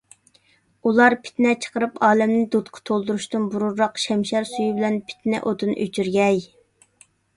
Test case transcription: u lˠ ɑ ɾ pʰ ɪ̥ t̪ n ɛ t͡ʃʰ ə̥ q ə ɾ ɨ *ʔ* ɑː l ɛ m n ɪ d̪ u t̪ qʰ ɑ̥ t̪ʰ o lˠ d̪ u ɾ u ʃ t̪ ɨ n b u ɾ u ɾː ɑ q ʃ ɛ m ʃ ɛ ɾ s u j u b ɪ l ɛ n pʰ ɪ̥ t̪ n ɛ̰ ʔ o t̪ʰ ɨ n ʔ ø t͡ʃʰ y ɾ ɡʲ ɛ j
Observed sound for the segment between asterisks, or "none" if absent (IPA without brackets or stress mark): p